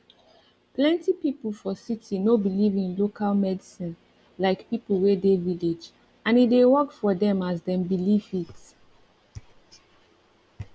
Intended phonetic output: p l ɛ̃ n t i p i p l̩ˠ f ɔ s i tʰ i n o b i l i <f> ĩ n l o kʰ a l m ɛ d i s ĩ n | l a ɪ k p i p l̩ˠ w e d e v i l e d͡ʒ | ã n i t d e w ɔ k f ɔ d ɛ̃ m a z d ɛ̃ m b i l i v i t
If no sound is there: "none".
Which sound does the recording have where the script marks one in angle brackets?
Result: v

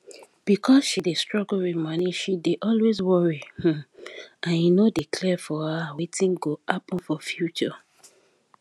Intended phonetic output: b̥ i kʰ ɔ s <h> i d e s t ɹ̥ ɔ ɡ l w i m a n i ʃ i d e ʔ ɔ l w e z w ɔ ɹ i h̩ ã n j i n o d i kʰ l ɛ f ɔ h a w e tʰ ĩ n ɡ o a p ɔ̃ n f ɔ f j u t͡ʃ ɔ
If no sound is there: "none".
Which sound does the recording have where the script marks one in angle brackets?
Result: ʃ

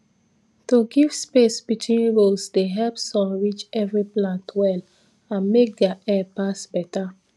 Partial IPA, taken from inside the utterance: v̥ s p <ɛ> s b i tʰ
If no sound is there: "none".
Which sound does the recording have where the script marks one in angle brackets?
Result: e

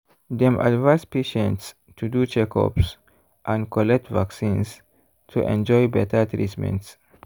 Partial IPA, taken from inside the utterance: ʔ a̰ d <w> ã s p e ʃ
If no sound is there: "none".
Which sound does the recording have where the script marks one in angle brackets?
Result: v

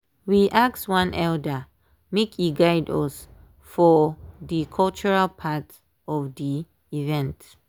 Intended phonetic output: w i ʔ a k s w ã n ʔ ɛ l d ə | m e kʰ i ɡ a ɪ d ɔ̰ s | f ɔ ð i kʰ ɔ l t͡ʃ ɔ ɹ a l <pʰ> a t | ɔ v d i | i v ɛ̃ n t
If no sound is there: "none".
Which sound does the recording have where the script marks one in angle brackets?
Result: pʰ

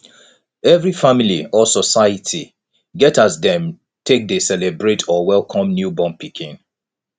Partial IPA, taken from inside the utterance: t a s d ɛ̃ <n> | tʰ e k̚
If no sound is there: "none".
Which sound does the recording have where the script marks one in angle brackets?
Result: m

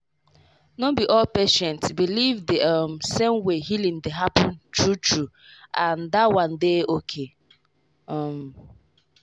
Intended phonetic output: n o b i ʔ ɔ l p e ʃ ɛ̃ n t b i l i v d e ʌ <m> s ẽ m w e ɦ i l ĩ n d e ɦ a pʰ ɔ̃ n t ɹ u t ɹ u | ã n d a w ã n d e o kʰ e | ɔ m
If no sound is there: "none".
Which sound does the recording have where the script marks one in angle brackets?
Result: m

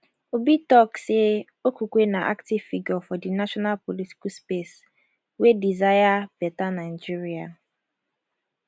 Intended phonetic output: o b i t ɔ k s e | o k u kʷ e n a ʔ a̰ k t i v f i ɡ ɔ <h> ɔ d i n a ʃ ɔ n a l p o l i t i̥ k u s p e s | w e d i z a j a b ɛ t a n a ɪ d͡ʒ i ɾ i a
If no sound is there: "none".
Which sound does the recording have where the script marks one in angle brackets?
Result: f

